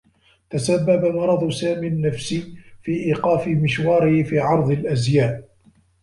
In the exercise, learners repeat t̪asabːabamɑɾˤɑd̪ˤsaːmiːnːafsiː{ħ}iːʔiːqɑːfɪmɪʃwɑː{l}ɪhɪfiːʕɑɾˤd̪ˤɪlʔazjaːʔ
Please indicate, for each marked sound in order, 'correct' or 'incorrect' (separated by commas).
incorrect, incorrect